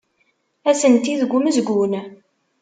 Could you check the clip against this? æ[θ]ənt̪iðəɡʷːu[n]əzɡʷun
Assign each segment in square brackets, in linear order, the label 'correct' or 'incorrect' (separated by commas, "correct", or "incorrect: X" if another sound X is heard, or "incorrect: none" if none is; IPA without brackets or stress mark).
incorrect: s, incorrect: m